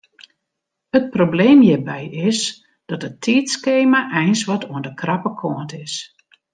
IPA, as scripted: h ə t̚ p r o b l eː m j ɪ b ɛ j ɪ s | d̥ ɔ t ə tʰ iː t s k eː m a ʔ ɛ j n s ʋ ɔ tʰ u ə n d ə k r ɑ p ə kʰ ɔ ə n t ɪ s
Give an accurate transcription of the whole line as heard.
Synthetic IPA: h ə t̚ p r o b l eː m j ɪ b ɛ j ɪ s | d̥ ɔ t ə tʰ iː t s k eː m a ʔ ɛ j n s ʋ ɔ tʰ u ə n d ə k r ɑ p ə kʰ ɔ ə n t ɪ s